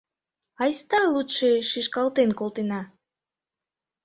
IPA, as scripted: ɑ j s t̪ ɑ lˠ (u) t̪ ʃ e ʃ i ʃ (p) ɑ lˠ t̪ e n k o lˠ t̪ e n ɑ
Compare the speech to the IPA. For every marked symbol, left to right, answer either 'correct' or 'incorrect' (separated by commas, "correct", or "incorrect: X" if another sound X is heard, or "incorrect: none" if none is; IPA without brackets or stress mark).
correct, incorrect: k